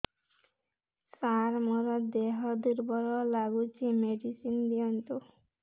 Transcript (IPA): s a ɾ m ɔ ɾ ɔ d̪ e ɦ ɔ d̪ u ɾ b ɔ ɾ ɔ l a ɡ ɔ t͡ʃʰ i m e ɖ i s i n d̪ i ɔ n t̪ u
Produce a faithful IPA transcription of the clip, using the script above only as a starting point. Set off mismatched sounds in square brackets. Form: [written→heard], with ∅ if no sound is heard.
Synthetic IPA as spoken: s a ɾ m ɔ ɾ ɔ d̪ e ɦ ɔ d̪ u ɾ b ɔ ɾ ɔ l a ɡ [ɔ→u] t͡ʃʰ i m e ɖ i s i n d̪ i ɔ n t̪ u